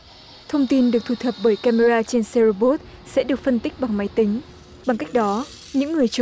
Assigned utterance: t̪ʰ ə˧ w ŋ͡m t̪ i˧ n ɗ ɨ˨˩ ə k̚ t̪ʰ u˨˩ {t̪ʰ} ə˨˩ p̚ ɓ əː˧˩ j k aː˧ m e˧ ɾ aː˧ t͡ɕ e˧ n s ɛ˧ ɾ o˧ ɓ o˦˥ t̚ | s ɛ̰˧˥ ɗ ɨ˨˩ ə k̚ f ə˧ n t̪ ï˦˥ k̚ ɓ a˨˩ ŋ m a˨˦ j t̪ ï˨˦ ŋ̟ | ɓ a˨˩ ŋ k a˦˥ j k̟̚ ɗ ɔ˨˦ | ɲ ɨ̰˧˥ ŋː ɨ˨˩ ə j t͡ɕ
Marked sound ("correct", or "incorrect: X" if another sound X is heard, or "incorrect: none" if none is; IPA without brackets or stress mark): correct